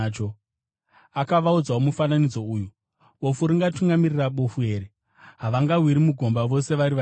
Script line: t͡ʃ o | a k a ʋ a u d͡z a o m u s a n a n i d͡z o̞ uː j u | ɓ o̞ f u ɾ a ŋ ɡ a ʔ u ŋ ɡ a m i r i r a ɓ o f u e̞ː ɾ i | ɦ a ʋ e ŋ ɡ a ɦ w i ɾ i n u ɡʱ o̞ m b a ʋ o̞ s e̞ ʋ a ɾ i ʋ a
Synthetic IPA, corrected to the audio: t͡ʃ o | a k a ʋ a u d͡z a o m u f a n a n i d͡z o̞ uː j u | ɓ o̞ f u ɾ i ŋ ɡ a t u ŋ ɡ a m i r i r a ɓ o f u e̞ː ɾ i | ɦ a ʋ a ŋ ɡ a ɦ w i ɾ i m u ɡʱ o̞ m b a ʋ o̞ s e̞ ʋ a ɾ i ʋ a